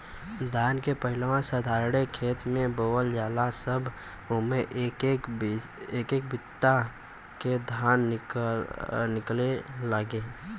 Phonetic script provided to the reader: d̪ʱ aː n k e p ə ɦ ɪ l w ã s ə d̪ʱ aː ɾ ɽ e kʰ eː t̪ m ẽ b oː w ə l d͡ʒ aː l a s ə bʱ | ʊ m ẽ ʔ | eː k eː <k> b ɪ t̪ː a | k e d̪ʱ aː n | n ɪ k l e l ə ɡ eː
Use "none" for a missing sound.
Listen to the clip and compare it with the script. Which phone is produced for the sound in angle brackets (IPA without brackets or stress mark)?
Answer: k